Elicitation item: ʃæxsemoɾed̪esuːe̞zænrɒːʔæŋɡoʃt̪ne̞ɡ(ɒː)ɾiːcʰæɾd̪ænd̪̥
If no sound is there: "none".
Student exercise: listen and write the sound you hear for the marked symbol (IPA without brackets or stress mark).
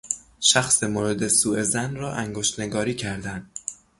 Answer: ɒː